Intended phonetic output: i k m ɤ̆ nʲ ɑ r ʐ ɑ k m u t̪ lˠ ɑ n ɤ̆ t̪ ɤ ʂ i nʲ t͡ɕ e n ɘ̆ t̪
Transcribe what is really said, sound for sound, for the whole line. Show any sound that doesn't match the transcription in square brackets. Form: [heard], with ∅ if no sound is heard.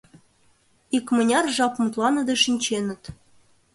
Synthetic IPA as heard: i k m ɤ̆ nʲ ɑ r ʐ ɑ [p] m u t̪ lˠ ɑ n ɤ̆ [d̪] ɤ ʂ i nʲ t͡ɕ e n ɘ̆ t̪